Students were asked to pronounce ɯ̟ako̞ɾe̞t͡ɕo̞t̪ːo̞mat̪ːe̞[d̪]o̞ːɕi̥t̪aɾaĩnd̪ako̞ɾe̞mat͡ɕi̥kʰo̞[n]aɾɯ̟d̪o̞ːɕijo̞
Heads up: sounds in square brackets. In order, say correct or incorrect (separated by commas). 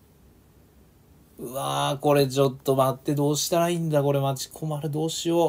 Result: correct, incorrect